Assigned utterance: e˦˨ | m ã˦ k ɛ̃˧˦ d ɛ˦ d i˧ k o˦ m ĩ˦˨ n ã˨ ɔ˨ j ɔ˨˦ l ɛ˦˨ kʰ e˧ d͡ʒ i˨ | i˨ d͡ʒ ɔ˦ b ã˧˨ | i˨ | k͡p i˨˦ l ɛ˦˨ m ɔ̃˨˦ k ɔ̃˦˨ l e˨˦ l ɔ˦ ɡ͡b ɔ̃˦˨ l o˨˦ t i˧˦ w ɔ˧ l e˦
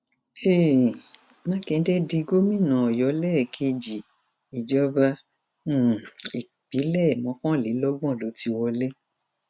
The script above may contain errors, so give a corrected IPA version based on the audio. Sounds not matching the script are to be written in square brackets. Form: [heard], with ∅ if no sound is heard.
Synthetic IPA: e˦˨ | m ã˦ k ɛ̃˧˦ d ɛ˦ d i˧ [ɡ] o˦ m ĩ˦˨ n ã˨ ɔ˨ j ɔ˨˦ l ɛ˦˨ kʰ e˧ d͡ʒ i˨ | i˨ d͡ʒ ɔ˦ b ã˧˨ | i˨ | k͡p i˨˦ l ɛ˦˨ m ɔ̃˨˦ k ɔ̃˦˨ l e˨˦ l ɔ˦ ɡ͡b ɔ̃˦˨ l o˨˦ t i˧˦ w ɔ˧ l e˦